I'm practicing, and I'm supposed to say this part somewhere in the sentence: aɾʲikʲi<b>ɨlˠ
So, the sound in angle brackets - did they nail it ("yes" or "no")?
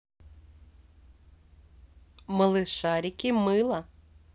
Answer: no